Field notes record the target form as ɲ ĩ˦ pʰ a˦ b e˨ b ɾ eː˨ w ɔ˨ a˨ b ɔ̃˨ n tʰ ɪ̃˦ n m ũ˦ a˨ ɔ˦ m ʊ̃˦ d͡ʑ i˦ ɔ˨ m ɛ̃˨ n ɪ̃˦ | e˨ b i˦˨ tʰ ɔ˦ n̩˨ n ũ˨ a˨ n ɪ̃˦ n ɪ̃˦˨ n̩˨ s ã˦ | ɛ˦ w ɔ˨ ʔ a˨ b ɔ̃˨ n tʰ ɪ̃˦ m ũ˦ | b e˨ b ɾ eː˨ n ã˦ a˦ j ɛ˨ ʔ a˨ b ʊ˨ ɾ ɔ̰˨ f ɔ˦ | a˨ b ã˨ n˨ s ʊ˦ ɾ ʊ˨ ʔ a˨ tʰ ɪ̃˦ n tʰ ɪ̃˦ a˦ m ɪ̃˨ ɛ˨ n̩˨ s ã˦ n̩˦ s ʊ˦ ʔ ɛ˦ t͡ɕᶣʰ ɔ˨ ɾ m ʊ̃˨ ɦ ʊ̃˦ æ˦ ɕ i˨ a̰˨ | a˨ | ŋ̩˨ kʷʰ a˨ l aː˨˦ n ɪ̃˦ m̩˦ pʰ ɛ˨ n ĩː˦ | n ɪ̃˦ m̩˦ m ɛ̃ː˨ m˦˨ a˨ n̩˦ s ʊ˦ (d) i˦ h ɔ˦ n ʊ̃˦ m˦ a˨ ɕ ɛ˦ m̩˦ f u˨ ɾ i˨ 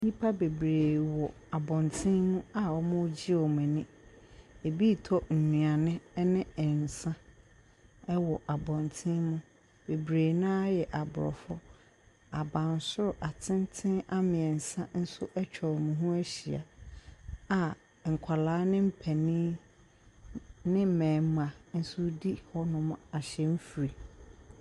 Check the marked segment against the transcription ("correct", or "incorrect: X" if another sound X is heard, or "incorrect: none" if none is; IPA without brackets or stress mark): correct